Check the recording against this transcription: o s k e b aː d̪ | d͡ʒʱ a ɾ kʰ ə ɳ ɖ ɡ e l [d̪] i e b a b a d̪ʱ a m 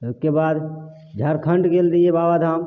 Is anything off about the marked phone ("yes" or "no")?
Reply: no